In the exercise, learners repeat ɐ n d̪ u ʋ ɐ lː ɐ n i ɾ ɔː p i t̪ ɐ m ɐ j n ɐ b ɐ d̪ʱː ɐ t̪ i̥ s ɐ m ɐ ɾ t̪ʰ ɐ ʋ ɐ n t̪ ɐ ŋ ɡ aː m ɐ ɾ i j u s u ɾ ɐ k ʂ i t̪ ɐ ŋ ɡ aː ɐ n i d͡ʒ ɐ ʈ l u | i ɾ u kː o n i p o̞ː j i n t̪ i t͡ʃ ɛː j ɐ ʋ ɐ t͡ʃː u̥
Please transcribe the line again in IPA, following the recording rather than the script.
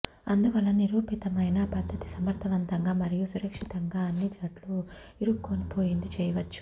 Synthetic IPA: ɐ n d̪ u ʋ ɐ lː ɐ n i ɾ uː p i t̪ ɐ m ɐ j n ɐ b ɐ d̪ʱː ɐ t̪ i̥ s ɐ m ɐ ɾ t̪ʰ ɐ ʋ ɐ n t̪ ɐ ŋ ɡ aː m ɐ ɾ i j u s u ɾ ɐ k ʂ i t̪ ɐ ŋ ɡ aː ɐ nː i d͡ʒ ɐ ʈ l u | i ɾ u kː o n i p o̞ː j i n d̪ i t͡ʃ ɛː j ɐ ʋ ɐ t͡ʃː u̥